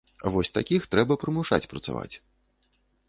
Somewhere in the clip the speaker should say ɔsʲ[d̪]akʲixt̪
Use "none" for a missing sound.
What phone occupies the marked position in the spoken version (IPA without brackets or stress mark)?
t̪